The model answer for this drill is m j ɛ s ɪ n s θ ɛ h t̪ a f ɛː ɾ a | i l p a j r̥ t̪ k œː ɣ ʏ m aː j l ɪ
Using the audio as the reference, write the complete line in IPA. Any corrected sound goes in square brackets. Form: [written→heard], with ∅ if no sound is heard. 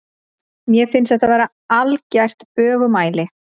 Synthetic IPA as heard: m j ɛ [s→f] ɪ n s θ ɛ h t̪ a [f→v] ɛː ɾ a | [i→a] l [p→c] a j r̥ t̪ [k→p] œː ɣ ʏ m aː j l ɪ